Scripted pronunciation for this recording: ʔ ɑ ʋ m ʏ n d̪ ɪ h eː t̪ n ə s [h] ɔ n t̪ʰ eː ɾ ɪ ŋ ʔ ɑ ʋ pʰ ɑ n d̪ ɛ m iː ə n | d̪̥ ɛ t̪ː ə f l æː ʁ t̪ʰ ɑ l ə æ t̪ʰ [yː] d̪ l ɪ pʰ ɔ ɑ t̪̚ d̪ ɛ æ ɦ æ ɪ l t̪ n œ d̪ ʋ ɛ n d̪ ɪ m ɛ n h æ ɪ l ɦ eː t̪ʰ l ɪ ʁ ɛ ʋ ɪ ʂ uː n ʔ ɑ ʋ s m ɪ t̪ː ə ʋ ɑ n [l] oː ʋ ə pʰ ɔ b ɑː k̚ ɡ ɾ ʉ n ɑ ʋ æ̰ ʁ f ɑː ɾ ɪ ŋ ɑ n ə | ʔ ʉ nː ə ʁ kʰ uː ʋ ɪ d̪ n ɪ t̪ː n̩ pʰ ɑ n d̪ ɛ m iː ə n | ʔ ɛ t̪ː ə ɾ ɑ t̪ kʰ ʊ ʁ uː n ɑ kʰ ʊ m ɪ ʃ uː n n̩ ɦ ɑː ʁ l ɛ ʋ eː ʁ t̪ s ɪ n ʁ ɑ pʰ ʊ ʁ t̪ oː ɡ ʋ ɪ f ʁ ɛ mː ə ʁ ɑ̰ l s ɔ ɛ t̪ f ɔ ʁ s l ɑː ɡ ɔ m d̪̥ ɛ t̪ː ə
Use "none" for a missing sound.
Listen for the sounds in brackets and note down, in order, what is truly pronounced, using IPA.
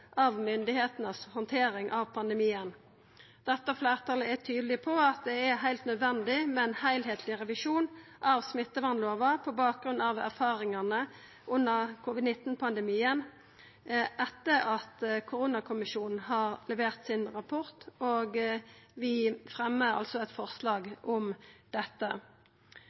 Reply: h, yː, l

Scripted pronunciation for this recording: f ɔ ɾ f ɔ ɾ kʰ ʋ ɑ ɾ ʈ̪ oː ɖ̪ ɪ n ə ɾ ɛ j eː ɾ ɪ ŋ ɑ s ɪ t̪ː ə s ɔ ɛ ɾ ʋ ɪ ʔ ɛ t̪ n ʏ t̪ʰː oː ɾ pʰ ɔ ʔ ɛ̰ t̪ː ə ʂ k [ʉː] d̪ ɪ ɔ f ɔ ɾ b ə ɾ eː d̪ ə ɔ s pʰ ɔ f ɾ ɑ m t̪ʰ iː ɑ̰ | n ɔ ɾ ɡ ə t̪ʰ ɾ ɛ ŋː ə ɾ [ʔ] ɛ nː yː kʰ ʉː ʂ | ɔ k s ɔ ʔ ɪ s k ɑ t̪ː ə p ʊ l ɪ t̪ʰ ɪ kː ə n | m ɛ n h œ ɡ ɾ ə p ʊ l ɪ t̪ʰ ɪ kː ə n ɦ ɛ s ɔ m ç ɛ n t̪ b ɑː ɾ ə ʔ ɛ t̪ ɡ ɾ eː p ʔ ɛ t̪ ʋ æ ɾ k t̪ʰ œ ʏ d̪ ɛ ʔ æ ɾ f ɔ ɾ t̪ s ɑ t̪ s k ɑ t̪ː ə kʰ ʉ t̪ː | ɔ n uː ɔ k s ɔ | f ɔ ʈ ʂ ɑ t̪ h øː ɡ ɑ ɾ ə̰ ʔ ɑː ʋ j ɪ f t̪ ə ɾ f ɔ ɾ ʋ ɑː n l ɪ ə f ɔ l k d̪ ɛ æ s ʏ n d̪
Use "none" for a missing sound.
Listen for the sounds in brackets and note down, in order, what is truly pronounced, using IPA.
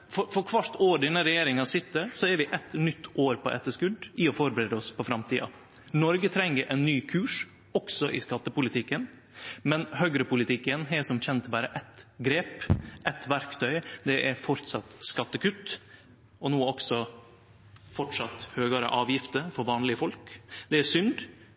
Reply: ʉ, ʔ

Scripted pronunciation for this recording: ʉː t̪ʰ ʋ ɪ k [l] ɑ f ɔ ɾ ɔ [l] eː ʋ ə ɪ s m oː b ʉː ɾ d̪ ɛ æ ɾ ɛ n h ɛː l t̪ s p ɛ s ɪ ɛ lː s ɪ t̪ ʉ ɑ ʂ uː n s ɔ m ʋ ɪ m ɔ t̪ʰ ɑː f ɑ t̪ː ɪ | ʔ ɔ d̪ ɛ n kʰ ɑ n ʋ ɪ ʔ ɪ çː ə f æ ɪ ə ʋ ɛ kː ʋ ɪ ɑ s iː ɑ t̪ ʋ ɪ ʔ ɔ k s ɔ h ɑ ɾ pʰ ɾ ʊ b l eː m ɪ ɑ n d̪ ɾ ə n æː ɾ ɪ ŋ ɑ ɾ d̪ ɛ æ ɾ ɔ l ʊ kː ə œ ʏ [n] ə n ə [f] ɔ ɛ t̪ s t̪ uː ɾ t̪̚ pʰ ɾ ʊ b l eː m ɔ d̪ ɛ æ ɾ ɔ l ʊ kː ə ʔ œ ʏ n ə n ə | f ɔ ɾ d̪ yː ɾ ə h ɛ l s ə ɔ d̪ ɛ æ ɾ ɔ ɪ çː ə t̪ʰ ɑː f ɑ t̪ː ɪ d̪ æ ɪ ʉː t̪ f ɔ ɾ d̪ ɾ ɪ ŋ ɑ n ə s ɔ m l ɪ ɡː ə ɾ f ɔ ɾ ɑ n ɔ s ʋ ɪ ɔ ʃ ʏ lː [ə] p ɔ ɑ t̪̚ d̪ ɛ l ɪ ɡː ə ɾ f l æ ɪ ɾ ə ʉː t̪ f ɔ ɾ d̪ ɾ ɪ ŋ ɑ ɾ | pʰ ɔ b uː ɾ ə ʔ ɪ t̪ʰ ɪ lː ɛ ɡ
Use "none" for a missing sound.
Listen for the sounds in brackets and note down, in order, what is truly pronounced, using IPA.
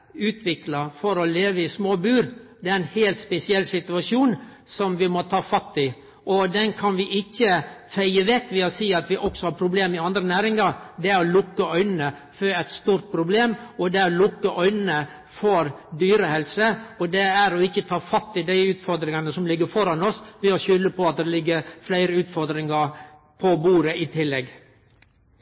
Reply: l, l, n, f, ə

